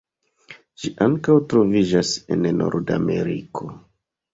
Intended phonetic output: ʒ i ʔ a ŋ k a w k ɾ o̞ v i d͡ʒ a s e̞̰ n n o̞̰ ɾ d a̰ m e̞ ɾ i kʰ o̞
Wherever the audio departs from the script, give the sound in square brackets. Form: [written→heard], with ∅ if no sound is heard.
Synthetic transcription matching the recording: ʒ i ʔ a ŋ k a w [k→t] ɾ o̞ v i d͡ʒ a s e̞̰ n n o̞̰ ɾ d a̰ m e̞ ɾ i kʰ o̞